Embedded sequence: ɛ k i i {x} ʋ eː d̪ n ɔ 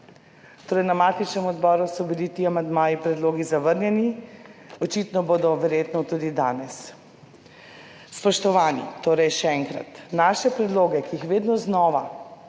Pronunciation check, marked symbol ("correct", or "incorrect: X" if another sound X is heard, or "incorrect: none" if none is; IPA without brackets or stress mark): correct